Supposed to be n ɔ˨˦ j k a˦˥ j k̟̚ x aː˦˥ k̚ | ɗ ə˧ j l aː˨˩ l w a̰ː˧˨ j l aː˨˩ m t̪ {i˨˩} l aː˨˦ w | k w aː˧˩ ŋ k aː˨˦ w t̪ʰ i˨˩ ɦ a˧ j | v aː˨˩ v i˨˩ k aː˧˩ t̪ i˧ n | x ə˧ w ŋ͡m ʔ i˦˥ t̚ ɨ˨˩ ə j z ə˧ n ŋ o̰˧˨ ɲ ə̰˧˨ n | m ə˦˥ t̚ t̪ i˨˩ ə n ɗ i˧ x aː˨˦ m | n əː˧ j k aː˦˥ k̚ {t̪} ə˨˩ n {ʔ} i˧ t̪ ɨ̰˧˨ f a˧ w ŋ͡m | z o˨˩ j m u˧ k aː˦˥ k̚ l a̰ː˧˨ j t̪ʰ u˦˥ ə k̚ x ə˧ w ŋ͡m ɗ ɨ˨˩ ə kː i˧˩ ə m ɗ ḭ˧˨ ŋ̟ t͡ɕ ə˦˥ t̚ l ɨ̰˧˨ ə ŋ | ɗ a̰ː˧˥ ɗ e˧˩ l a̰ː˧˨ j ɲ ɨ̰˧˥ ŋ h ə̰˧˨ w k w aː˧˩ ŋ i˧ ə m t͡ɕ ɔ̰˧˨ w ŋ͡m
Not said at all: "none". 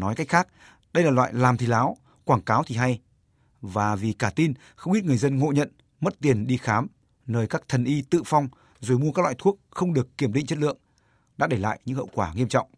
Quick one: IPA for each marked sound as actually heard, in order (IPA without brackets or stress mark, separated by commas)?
i˨˩, t̪ʰ, ʔ